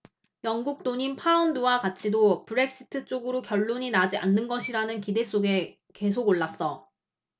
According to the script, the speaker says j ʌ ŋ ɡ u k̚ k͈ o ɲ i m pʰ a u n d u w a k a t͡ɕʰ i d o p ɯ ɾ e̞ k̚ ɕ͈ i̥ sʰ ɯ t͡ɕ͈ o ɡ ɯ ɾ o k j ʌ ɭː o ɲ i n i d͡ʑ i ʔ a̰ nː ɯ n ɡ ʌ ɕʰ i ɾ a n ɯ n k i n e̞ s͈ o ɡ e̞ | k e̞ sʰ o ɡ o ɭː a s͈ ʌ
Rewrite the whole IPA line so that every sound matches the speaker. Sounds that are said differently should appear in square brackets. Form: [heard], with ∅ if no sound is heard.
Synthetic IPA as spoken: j ʌ ŋ ɡ u k̚ [t͈] o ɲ i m pʰ a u n d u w a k a t͡ɕʰ i d o p ɯ ɾ e̞ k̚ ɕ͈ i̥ [tʰ] ɯ t͡ɕ͈ o ɡ ɯ ɾ o k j ʌ ɭː o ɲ i n [a] d͡ʑ i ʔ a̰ nː ɯ n ɡ ʌ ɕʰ i ɾ a n ɯ n k i [d] e̞ s͈ o ɡ e̞ | k e̞ sʰ o ɡ o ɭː a s͈ ʌ